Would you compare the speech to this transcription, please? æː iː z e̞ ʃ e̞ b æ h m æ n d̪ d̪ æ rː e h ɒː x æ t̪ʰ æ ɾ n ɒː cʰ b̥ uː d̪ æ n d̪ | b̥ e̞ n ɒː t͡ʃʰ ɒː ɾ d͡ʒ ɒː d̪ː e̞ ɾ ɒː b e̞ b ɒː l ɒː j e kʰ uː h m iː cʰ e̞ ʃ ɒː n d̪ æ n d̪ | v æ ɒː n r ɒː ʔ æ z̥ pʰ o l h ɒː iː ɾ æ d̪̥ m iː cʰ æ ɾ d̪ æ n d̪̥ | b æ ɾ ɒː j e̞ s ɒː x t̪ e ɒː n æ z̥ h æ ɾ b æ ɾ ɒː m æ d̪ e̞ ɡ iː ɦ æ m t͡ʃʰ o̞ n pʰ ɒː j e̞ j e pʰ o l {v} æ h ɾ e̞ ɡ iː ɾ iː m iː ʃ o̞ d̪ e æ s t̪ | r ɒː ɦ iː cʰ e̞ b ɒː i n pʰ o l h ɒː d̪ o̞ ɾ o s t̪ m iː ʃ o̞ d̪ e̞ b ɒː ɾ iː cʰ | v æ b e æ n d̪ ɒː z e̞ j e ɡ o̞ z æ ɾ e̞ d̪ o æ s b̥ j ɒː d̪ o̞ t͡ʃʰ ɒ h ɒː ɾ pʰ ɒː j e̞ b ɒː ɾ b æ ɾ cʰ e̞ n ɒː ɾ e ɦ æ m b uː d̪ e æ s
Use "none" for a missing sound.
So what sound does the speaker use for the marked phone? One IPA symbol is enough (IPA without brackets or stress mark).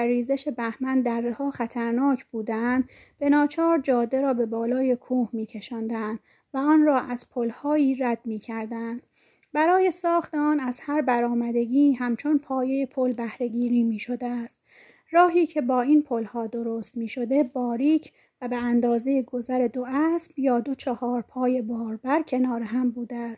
b